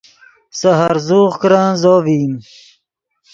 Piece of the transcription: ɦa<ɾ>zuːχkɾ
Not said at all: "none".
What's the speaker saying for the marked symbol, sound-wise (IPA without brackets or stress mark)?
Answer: ɾ